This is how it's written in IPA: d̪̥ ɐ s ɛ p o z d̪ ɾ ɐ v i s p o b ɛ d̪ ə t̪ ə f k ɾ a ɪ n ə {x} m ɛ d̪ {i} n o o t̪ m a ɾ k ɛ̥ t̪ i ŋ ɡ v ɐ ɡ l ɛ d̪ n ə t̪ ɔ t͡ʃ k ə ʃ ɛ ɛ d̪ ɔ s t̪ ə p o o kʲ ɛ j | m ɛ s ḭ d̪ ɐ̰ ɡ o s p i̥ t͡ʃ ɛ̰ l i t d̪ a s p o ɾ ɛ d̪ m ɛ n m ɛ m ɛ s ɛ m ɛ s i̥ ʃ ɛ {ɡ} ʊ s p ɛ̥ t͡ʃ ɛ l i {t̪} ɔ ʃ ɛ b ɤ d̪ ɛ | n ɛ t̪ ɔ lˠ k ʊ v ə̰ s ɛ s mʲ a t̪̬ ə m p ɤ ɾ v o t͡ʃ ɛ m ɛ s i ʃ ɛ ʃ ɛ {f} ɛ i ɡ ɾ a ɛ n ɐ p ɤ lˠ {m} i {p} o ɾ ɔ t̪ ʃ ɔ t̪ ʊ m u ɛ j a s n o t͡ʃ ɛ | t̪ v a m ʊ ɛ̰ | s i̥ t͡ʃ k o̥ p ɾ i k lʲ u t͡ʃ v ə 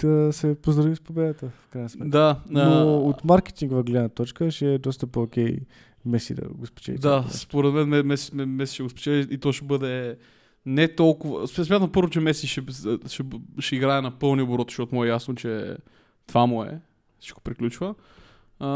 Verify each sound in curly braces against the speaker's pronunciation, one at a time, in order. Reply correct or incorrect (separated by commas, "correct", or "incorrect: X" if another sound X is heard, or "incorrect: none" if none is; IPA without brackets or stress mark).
incorrect: s, incorrect: a, correct, correct, incorrect: ʃ, incorrect: n, incorrect: b